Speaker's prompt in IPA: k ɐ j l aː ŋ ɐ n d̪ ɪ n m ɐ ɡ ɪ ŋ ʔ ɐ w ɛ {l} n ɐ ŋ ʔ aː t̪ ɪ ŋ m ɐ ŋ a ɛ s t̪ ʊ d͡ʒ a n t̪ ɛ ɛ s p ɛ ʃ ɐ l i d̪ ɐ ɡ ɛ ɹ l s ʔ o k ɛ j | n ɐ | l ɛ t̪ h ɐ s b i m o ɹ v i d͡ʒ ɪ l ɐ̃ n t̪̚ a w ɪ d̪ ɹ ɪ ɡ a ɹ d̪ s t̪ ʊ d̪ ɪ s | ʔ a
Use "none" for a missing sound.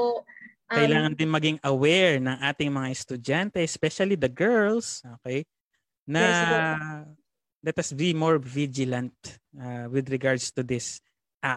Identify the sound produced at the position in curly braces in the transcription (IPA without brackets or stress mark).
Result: ɹ